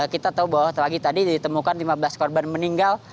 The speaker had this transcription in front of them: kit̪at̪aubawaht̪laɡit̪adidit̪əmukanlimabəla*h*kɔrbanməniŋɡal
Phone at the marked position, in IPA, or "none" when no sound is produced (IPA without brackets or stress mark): s